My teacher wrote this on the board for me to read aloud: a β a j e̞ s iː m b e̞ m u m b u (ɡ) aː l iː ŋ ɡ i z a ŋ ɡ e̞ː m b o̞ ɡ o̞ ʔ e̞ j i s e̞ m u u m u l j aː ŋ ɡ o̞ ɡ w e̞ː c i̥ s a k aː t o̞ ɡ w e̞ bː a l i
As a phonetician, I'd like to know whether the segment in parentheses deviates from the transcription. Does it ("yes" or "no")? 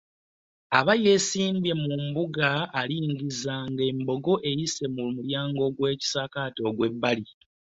no